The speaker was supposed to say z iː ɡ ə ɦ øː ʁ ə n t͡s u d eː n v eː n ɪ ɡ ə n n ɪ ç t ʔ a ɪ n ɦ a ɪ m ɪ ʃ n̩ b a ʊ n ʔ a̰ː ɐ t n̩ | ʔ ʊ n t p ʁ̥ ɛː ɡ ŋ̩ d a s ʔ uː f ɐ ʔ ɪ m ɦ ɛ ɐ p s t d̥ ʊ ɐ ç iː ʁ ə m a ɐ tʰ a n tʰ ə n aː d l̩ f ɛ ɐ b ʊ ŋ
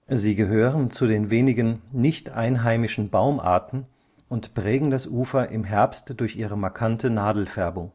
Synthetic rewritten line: z iː ɡ ə ɦ øː ʁ ə n t͡s u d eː n v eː n ɪ ɡ ə n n ɪ ç t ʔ a ɪ n ɦ a ɪ m ɪ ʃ n̩ b a ʊ m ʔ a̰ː ɐ t n̩ | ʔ ʊ n t p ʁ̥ ɛː ɡ ŋ̩ d a s ʔ uː f ɐ ʔ ɪ m ɦ ɛ ɐ p s t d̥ ʊ ɐ ç iː ʁ ə m a ɐ kʰ a n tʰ ə n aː d l̩ f ɛ ɐ b ʊ ŋ